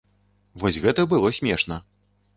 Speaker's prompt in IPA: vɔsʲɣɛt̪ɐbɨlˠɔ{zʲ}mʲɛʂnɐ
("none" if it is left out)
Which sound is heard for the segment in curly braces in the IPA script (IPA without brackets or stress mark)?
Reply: sʲ